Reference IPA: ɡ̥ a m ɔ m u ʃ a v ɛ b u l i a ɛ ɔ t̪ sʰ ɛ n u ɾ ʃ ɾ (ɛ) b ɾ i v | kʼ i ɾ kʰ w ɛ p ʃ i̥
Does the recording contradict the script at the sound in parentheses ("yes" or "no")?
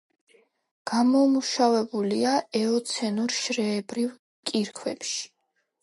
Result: yes